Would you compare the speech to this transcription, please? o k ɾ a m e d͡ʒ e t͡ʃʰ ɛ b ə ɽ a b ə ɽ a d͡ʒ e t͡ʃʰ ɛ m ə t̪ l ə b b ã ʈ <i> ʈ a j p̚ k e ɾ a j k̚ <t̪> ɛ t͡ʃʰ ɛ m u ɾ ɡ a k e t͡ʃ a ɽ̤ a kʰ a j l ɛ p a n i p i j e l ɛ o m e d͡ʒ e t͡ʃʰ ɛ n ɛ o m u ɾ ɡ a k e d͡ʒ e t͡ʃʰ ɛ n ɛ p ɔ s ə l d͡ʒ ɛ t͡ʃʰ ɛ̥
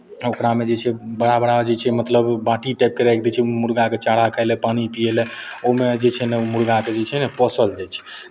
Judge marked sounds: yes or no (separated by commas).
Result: yes, no